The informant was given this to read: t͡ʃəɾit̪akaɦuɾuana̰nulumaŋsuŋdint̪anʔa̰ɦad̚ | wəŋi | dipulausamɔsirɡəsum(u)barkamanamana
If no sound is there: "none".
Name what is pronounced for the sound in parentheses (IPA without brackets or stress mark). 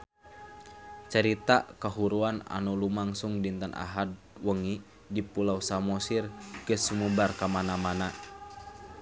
u